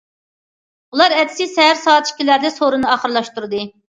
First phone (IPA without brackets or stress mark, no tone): u